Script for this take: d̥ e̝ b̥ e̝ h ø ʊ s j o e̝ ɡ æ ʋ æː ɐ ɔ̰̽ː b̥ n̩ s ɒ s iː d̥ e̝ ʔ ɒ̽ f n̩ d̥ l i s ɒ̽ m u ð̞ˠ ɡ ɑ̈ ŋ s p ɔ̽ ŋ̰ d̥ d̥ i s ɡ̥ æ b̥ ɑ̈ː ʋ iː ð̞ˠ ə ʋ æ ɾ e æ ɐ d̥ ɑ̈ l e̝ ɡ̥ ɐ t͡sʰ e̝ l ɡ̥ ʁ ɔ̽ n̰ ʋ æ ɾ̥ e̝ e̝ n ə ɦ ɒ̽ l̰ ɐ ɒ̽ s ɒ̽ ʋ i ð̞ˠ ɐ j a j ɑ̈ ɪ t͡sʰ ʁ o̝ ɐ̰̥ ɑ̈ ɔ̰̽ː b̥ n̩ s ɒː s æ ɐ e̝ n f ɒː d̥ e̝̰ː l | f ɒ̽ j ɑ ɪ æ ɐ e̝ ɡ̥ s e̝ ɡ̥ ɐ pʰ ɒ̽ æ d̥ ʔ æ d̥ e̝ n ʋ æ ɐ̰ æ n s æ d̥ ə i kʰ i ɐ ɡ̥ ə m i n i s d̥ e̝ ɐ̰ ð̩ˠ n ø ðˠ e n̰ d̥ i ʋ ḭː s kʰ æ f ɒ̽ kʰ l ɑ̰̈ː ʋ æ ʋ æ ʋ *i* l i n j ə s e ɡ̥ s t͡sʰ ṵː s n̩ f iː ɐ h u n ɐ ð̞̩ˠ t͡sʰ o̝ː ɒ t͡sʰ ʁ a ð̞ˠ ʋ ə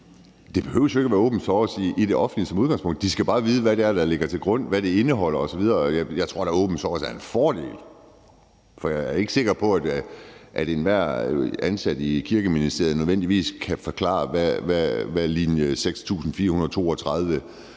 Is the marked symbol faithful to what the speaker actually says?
no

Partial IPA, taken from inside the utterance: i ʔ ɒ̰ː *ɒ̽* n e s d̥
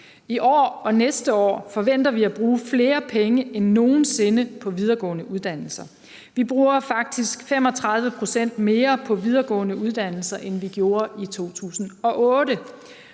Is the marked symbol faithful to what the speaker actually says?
yes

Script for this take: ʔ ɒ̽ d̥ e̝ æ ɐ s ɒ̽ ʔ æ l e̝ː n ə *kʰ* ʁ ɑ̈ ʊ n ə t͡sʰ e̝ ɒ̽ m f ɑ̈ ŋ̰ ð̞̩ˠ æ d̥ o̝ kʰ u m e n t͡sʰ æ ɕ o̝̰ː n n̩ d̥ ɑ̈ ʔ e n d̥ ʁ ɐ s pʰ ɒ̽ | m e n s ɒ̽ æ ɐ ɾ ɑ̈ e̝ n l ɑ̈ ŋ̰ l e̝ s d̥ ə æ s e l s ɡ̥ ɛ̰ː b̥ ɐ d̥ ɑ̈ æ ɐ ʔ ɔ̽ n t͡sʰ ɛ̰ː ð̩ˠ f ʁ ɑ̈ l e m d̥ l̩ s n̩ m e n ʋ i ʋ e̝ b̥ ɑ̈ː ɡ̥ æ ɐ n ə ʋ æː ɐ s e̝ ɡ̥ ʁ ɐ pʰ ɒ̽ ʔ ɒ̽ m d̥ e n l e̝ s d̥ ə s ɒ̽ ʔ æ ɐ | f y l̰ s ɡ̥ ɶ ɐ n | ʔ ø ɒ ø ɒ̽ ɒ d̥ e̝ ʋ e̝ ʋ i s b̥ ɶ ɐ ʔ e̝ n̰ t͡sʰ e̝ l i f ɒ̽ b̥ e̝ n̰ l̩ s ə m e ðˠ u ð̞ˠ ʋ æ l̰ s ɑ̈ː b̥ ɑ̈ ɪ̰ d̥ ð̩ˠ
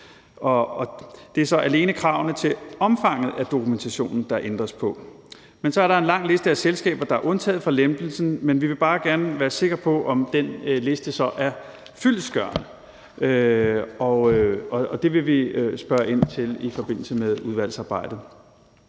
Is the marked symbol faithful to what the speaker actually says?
yes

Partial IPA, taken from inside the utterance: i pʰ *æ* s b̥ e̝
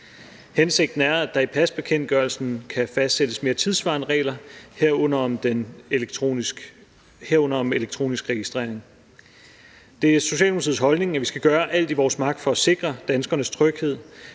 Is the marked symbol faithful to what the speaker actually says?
yes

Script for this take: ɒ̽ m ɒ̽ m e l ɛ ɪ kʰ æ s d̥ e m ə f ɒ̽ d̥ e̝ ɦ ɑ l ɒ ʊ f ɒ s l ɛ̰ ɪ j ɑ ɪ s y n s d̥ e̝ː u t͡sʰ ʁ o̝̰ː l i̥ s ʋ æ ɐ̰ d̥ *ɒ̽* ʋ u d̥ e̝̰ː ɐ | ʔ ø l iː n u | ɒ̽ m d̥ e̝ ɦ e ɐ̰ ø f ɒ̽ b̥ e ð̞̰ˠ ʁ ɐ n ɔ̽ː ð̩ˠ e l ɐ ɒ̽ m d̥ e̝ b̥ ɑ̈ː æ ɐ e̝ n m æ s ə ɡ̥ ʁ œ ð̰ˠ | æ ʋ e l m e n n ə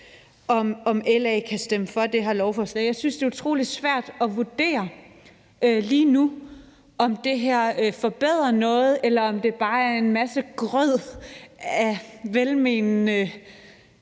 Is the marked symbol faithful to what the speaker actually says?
yes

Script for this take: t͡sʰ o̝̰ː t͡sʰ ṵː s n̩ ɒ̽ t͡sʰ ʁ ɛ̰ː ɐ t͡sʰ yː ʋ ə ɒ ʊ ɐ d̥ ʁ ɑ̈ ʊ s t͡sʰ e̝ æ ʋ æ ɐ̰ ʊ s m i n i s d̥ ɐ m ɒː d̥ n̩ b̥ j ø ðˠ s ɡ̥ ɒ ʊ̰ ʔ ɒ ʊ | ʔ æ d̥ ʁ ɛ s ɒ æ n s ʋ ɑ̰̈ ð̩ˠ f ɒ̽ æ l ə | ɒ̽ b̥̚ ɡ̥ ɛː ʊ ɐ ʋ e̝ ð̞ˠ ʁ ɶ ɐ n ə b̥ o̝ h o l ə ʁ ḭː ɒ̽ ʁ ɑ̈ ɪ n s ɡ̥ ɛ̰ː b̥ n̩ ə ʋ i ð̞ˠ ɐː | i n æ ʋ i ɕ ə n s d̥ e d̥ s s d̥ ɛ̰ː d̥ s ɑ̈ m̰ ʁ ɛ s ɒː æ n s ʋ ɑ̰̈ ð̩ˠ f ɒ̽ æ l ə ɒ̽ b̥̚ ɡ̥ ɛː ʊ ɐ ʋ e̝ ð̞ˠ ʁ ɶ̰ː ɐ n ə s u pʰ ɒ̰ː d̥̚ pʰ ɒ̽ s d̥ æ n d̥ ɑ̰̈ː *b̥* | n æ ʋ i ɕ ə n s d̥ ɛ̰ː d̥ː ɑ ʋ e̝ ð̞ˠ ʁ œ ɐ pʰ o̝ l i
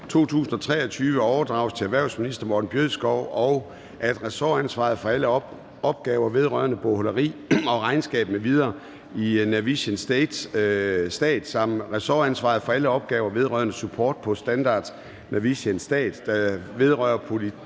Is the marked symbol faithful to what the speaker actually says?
no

